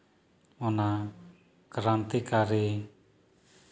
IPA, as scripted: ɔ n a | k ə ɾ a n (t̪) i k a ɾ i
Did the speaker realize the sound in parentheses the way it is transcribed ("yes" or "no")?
yes